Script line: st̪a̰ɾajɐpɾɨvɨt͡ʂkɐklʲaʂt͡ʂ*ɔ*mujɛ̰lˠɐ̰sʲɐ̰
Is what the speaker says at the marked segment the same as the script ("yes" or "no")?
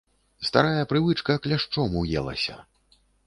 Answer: yes